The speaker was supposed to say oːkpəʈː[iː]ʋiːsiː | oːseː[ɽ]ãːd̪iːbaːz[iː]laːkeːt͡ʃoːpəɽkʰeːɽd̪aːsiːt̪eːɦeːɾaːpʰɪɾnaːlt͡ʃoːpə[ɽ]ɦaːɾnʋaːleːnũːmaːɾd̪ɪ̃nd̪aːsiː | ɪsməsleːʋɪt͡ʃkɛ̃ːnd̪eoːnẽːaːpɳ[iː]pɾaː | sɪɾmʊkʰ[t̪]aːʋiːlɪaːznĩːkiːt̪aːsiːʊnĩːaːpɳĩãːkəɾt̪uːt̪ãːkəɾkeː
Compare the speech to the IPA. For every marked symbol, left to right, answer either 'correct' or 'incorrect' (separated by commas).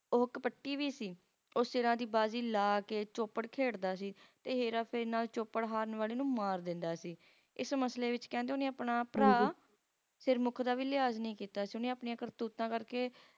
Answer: correct, incorrect, correct, correct, incorrect, incorrect